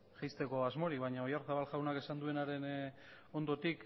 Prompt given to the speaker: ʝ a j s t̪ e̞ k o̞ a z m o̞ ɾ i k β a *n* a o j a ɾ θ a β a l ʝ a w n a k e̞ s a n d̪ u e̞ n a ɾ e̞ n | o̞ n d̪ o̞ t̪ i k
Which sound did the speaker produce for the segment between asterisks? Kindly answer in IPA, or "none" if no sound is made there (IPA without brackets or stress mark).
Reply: ɲ